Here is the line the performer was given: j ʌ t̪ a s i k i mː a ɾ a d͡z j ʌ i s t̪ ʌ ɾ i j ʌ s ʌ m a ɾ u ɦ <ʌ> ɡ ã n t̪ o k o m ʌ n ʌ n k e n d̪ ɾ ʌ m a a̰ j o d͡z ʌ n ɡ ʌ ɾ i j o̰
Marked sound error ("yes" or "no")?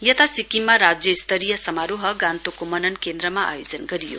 no